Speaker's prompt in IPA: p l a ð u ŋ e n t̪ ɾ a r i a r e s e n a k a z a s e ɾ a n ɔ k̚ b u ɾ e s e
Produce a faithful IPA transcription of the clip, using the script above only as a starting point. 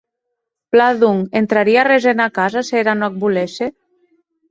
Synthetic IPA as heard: p l a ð u ŋ e n t̪ ɾ a ɾ i a r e z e n a k a z a s e ɾ a n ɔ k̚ b u l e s e